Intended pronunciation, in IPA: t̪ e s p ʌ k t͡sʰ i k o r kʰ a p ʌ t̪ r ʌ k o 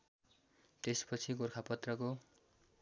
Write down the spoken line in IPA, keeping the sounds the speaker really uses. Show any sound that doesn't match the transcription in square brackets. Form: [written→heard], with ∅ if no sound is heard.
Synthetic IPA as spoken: t̪ e s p ʌ [k→∅] t͡sʰ i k o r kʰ a p ʌ t̪ r ʌ k o